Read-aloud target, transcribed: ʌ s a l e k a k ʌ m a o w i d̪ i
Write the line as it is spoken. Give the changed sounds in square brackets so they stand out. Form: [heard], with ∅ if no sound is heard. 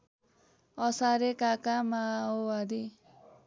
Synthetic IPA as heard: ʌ s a [ɾ] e k a k [a] m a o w [a] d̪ i